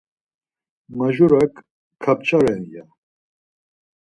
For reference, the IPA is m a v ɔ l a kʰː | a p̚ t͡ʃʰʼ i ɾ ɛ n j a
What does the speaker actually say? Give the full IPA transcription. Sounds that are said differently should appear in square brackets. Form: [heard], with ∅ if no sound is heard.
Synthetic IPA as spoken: m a [ʒ] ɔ [ɾ] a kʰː | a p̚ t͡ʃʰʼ [a] ɾ ɛ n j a